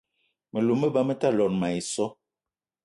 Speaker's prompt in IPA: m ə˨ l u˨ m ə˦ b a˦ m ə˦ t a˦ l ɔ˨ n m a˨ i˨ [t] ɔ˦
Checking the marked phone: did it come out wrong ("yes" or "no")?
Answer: yes